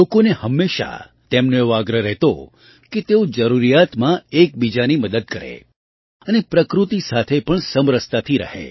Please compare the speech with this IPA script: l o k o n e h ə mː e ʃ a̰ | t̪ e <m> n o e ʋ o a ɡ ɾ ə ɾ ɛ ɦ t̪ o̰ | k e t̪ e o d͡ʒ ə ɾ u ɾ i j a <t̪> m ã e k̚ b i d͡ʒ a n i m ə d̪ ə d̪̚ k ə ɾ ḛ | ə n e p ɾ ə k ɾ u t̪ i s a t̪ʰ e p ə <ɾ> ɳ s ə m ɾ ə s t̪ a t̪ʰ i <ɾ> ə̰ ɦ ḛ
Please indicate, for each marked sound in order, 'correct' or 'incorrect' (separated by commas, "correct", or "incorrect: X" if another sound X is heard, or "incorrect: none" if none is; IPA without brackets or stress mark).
correct, correct, incorrect: none, correct